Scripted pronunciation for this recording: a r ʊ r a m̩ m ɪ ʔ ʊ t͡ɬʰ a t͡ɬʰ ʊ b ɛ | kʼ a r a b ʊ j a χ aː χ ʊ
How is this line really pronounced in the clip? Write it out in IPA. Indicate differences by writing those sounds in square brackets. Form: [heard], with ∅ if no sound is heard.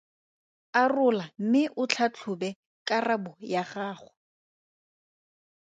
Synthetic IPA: a r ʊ [l] a m̩ m ɪ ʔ ʊ t͡ɬʰ a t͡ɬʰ ʊ b ɛ | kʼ a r a b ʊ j a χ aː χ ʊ